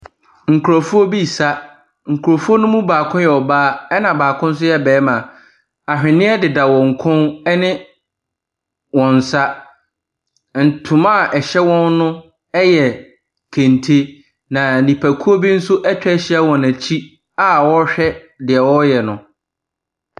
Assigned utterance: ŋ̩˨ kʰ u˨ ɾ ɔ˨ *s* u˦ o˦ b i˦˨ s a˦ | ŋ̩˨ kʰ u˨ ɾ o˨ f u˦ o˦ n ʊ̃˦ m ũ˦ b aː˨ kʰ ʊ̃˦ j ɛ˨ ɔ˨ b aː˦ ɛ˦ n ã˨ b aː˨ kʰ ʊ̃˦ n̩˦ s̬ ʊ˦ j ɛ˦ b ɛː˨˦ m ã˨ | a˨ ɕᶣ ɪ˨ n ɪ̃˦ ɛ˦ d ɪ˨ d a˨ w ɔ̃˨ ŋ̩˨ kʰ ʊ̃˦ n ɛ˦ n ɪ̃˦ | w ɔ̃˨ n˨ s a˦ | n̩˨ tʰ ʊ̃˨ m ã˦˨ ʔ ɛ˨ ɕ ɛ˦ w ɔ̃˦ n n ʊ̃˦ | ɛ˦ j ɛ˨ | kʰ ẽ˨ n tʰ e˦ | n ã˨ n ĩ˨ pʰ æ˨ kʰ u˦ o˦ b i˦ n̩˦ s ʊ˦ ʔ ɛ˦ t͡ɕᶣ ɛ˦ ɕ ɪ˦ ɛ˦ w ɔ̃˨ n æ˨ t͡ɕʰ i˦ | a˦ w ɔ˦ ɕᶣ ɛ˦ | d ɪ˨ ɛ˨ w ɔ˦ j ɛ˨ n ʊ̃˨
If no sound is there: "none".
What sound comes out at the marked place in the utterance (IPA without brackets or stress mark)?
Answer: f